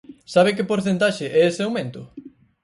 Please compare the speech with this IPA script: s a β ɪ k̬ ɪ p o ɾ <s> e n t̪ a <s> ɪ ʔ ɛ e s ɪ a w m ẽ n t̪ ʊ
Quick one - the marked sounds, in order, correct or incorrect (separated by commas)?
incorrect, incorrect